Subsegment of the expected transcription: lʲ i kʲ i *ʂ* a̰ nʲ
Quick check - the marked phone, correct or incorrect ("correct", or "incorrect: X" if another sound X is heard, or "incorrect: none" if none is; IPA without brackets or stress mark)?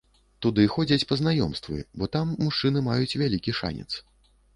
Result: correct